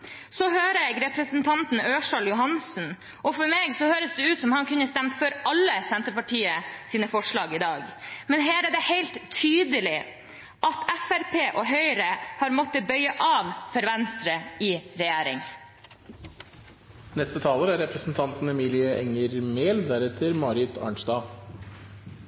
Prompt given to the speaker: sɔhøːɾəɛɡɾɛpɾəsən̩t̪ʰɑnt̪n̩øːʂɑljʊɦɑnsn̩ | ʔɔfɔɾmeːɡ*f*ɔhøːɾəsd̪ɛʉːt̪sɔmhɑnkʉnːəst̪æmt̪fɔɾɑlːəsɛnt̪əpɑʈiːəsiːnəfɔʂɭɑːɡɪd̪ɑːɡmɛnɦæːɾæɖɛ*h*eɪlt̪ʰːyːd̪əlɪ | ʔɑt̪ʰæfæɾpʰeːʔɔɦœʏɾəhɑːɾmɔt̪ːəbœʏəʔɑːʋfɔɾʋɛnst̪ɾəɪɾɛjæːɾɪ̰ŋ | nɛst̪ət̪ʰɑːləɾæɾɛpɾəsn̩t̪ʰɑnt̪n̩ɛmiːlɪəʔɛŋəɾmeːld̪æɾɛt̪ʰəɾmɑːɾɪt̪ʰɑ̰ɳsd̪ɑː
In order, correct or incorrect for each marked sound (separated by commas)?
incorrect, correct